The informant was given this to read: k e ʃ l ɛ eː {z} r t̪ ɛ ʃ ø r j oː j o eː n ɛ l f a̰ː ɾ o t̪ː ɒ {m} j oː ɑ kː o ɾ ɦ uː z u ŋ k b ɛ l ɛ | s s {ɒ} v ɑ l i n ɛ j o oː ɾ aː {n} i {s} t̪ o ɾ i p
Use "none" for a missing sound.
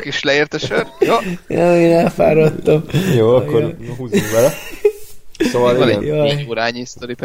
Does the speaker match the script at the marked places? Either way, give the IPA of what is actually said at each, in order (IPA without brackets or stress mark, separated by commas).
none, m, o, ɲ, s